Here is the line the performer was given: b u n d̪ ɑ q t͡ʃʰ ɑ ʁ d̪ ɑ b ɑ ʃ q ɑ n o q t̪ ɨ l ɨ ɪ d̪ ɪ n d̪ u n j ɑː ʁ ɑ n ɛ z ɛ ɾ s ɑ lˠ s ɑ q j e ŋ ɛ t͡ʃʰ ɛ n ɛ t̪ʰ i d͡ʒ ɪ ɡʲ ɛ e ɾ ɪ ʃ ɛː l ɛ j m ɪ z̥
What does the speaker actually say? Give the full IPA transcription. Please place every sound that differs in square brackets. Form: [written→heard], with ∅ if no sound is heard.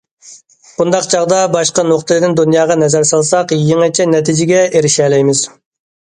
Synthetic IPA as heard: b u n d̪ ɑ q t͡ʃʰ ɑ ʁ d̪ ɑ b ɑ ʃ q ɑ n o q t̪ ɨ l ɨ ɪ d̪ ɪ n d̪ u n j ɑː ʁ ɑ n ɛ z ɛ ɾ s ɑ lˠ s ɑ q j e ŋ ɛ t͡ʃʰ ɛ n ɛ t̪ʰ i d͡ʒ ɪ ɡʲ ɛ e ɾ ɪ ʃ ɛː l ɛ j m ɪ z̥